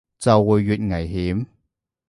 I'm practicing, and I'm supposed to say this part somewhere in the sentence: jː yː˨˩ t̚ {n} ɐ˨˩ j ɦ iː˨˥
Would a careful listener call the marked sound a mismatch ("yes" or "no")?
yes